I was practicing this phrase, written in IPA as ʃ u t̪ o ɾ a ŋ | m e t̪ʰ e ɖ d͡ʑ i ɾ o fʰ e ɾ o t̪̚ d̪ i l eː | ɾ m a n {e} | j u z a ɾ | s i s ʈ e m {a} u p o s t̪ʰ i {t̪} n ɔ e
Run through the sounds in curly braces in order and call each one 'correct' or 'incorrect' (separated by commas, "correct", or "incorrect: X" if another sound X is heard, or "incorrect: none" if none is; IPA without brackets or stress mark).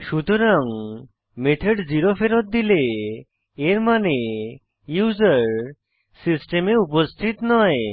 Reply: correct, incorrect: e, correct